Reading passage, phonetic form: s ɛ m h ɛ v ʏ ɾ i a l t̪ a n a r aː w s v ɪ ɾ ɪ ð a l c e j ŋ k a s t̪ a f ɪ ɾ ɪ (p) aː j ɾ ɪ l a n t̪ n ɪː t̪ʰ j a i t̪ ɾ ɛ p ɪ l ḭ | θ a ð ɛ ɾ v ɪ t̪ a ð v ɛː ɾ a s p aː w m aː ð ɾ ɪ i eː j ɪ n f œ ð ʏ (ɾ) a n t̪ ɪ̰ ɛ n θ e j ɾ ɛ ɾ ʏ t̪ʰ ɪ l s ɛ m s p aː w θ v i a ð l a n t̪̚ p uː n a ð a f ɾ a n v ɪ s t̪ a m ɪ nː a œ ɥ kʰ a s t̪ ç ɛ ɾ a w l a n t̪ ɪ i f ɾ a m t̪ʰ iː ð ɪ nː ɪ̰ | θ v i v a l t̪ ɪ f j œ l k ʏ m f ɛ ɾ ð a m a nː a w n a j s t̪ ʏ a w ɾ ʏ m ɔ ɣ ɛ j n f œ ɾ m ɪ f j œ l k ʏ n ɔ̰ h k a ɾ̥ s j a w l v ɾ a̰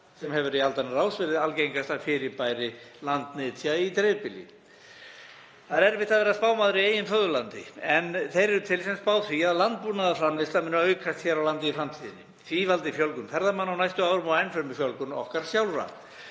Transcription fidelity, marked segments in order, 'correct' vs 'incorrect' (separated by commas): correct, incorrect